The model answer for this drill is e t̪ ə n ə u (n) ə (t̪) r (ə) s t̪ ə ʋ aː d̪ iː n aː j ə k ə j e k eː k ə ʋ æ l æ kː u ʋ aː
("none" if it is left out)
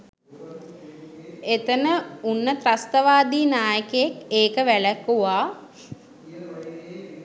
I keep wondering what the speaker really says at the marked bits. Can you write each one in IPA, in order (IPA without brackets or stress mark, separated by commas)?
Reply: nː, t̪, a